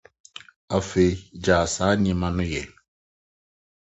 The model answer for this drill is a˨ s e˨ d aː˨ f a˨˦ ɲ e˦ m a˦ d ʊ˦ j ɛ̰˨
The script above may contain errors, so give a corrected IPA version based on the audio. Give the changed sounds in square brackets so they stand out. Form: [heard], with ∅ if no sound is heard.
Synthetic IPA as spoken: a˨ [f] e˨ [d͡ʒ] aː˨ [s] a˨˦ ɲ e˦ m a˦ [n] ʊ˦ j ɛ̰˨